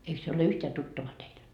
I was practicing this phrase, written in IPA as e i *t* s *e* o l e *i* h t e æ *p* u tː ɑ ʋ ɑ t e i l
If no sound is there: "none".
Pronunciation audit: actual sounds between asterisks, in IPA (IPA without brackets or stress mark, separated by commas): k, e, y, t